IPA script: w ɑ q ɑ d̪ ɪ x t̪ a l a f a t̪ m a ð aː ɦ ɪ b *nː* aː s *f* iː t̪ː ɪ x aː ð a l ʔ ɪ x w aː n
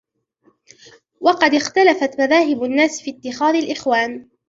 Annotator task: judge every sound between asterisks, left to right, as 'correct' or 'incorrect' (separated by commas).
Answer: correct, correct